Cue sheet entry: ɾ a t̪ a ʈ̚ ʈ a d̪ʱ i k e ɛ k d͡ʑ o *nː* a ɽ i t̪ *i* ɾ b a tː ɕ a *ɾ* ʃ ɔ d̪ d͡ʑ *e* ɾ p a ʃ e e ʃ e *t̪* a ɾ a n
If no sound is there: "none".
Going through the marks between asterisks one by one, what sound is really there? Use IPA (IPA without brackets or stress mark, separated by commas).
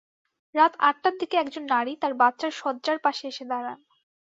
nː, a, ɾ, a, d̪